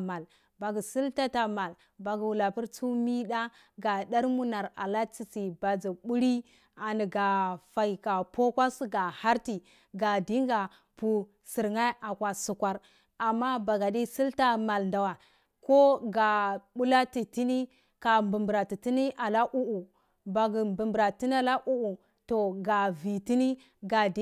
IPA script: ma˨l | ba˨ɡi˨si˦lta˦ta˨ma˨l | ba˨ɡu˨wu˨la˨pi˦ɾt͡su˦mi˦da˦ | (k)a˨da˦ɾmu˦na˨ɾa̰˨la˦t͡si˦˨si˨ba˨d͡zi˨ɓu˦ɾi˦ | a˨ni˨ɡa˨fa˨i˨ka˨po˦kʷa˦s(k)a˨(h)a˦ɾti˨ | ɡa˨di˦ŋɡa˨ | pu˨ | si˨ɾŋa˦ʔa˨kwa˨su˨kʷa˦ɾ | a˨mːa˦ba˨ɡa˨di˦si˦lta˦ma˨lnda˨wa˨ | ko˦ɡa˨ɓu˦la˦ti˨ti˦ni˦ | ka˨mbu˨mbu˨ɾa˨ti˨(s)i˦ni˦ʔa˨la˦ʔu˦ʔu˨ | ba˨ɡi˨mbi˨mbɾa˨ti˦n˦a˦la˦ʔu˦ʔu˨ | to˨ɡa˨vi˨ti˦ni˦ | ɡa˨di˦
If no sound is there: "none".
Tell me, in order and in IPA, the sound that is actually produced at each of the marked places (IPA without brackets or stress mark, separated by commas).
ɡ, ɡ, h, t